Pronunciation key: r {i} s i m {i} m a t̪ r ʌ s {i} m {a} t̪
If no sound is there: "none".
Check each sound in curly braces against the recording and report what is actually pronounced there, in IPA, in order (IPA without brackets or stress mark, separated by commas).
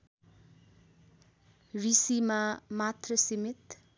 i, a, i, i